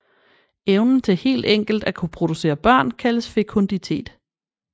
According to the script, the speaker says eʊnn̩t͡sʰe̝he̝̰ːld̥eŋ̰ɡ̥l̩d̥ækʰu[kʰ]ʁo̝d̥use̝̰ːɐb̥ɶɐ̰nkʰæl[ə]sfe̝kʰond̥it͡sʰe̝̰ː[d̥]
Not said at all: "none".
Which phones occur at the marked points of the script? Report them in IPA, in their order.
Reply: pʰ, ə, d̥

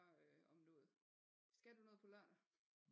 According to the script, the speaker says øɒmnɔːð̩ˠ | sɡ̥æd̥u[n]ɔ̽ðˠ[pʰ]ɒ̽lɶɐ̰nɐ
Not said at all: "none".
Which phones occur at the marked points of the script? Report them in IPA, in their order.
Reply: n, pʰ

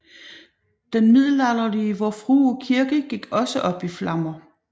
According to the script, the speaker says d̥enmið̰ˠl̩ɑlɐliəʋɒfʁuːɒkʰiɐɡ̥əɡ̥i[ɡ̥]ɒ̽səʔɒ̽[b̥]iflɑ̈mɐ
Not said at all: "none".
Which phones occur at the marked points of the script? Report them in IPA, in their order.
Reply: ɡ̥, b̥

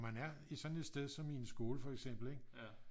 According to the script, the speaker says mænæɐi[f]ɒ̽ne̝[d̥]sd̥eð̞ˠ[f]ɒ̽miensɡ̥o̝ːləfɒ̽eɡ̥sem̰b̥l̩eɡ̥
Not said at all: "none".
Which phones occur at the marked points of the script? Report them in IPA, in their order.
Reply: s, d̥, s

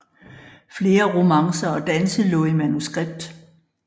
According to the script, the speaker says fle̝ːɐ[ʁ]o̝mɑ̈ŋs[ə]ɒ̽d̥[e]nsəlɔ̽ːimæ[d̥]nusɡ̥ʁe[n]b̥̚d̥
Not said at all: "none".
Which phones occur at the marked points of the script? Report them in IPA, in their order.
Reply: ʁ, ɐ, æ, none, none

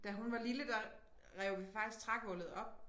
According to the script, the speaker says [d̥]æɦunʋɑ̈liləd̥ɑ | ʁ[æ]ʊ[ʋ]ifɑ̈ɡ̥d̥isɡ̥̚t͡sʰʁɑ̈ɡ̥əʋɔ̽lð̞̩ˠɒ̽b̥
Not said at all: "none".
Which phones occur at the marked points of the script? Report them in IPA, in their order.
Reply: d̥, ɛ, ʋ

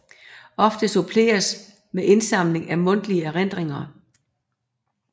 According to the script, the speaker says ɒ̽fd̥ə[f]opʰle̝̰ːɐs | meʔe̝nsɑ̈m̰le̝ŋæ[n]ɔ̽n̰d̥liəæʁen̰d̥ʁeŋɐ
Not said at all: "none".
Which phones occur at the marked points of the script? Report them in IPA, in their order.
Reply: s, m

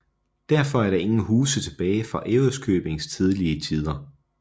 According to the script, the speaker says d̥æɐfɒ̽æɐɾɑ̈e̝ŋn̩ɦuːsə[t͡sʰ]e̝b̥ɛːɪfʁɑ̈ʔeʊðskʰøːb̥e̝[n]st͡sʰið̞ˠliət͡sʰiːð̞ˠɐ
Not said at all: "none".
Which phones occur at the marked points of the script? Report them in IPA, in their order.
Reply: t͡sʰ, ŋ

